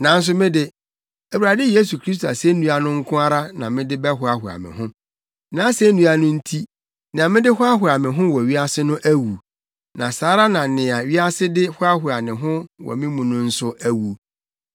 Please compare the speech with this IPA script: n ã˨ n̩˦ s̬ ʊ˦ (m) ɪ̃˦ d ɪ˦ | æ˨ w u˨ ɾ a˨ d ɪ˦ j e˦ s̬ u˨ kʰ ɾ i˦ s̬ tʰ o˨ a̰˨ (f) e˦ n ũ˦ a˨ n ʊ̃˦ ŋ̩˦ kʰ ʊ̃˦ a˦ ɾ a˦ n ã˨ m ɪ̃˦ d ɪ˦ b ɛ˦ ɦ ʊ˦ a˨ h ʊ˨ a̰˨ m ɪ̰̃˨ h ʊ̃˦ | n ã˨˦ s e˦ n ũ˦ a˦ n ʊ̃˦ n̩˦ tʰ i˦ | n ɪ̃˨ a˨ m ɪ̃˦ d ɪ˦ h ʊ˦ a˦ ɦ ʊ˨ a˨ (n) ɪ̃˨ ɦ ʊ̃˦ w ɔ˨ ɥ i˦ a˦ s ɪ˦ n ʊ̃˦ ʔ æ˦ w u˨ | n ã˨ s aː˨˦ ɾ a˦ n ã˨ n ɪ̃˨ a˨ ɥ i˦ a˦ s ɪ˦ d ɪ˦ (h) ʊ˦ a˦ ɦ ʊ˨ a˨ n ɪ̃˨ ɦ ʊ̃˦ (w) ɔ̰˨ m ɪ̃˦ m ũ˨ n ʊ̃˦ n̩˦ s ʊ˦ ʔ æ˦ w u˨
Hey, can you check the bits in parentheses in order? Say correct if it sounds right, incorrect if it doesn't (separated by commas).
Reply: correct, incorrect, incorrect, correct, correct